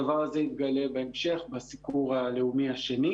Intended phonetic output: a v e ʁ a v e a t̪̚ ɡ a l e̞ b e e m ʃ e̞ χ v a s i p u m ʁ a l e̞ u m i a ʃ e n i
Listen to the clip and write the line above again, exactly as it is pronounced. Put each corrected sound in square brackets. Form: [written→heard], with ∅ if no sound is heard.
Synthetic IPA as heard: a v [e→a] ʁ a [v→z] e [a→i] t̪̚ ɡ a l e̞ b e e m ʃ e̞ χ [v→b] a s i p u [m→∅] ʁ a l e̞ u m i a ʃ e n i